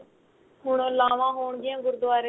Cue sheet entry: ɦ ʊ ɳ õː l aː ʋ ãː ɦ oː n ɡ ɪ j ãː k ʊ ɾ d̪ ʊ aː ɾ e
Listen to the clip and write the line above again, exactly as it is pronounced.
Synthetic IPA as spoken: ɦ ʊ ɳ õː l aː ʋ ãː ɦ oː ɳ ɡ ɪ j ãː ɡ ʊ ɾ d̪ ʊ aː ɾ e